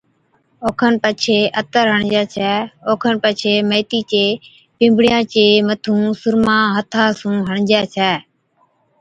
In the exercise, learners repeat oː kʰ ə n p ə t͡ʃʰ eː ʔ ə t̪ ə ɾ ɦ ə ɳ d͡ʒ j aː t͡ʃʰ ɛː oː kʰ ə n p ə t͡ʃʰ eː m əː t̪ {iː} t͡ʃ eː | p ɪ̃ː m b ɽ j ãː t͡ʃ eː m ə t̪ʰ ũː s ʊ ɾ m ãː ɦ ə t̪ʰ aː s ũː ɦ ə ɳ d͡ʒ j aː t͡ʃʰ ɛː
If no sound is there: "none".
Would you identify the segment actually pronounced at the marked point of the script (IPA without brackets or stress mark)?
iː